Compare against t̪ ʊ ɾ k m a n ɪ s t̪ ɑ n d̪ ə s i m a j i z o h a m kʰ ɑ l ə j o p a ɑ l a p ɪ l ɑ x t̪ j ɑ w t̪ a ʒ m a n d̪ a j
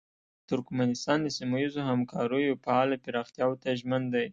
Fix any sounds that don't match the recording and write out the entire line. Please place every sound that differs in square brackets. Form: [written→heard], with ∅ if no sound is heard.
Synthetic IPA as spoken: t̪ ʊ ɾ k m a n ɪ s t̪ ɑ n d̪ ə s i m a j i z o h a m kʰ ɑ [l→ɾ] ə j o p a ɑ l a p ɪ [l→ɾ] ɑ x t̪ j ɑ w t̪ a ʒ m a n d̪ a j